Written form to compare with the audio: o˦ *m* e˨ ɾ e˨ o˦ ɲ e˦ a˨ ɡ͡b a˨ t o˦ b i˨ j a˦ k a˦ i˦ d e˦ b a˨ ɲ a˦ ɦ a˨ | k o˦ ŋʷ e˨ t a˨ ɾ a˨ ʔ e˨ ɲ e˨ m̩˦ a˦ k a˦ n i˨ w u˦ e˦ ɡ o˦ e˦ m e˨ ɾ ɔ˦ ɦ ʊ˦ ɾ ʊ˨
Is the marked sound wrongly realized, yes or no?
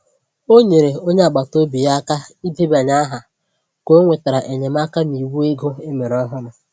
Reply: yes